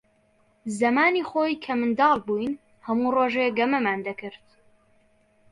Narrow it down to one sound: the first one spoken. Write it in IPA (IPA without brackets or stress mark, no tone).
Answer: z